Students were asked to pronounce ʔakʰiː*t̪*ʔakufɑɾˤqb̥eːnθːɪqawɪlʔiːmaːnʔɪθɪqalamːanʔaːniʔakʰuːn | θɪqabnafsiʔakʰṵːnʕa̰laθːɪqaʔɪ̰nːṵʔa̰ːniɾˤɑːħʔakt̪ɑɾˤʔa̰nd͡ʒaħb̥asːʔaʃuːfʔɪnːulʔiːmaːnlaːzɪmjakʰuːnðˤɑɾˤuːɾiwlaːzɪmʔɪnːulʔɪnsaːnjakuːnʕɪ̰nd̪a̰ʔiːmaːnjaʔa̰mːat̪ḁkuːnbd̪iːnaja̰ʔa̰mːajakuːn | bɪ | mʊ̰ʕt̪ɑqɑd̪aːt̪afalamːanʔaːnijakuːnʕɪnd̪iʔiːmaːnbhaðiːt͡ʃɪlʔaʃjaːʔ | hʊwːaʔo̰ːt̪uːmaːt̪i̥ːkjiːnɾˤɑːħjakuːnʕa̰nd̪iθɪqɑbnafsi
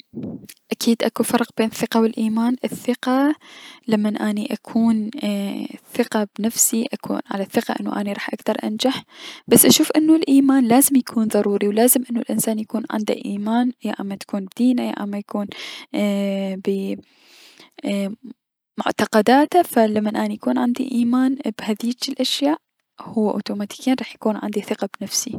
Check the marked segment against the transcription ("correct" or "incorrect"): incorrect